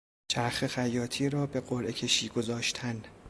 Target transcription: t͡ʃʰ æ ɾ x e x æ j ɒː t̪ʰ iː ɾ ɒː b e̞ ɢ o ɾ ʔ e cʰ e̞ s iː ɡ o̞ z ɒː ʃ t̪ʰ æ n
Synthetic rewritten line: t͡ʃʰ æ ɾ x e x æ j ɒː t̪ʰ iː ɾ ɒː b e̞ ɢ o ɾ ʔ e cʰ e̞ ʃ iː ɡ o̞ z ɒː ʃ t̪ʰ æ n